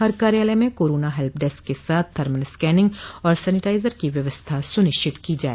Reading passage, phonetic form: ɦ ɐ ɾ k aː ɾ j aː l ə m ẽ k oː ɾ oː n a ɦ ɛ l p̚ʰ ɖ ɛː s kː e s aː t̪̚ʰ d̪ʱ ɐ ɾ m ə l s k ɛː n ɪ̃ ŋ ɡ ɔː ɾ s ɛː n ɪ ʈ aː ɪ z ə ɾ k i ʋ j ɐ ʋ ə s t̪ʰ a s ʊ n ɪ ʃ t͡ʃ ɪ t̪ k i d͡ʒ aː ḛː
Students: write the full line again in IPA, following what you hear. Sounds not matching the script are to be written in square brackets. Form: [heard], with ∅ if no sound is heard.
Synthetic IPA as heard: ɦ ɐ ɾ k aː ɾ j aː l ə m ẽ k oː ɾ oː n a ɦ ɛ l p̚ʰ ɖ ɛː s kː e s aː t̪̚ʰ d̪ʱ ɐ ɾ m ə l s k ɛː n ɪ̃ ŋ ɡ ɔː ɾ s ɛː n ɪ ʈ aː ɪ z ə ɾ k i ʋ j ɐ ʋ ə s t̪ʰ a s ʊ n ɪ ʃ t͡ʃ ɪ t̪ k i d͡ʒ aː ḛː